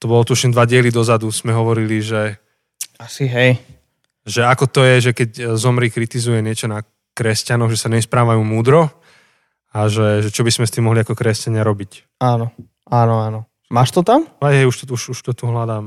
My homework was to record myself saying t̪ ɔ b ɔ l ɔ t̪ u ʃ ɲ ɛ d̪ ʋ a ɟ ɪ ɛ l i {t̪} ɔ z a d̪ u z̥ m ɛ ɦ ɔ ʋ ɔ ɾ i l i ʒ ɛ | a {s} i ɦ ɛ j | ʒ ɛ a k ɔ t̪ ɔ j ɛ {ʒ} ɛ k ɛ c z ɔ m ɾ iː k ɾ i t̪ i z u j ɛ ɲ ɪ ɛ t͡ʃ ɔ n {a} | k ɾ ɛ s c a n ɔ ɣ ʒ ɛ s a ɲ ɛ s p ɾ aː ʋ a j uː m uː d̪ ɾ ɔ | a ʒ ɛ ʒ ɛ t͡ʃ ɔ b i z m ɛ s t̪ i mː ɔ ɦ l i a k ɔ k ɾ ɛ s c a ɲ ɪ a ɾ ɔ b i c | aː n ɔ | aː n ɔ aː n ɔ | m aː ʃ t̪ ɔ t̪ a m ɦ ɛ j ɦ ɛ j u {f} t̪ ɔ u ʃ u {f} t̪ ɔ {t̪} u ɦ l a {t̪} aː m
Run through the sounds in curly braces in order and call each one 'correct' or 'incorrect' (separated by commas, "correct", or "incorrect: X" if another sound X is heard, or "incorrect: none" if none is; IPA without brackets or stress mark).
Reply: incorrect: d̪, correct, correct, correct, incorrect: ʃ, incorrect: ʃ, correct, incorrect: d̪